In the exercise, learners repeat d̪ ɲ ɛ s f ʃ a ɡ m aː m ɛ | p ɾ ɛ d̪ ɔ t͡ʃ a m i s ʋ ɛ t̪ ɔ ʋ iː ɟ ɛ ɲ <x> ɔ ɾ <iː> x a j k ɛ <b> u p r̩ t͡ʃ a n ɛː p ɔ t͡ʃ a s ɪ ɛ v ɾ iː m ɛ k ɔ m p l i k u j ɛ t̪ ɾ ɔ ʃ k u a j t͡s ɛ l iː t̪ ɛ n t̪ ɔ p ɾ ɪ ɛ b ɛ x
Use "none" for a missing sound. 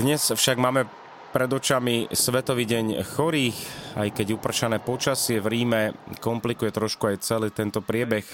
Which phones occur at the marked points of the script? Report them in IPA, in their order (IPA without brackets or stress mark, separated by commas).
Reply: x, iː, ɟ